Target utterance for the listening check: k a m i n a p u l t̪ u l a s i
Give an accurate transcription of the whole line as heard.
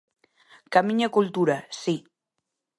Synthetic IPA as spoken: k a m i ɲ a k u l t̪ u ɾ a s i